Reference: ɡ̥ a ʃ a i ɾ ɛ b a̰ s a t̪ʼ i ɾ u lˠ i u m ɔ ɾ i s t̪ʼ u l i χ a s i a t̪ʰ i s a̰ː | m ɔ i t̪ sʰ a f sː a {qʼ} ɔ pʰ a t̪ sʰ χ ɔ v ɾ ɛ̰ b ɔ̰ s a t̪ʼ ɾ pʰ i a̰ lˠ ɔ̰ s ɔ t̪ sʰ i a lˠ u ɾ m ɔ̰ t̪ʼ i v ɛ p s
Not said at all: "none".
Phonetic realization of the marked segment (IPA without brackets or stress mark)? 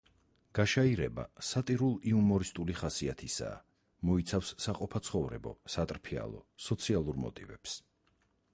qʼ